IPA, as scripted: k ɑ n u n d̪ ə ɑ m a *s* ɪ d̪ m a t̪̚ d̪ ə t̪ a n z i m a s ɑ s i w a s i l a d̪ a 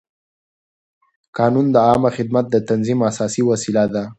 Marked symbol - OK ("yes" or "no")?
no